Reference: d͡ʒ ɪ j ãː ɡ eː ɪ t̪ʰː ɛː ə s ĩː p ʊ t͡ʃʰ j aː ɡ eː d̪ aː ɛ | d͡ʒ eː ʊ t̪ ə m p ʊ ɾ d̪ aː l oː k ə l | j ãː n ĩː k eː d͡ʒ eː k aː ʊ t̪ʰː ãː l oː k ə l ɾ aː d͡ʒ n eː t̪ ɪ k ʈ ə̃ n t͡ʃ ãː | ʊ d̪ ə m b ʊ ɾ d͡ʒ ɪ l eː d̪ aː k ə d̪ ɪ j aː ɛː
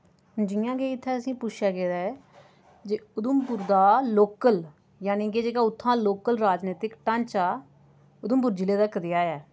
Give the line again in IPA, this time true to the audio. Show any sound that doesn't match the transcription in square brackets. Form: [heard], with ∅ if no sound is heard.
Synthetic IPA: d͡ʒ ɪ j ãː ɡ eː ɪ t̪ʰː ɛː ə s ĩː p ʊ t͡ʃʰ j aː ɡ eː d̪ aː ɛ | d͡ʒ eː ʊ [d̪] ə m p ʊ ɾ d̪ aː l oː k ə l | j [aː] n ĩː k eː d͡ʒ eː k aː ʊ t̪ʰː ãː l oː k ə l ɾ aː d͡ʒ n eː t̪ ɪ k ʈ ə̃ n t͡ʃ [aː] | ʊ d̪ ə m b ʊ ɾ d͡ʒ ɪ l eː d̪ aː k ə d̪ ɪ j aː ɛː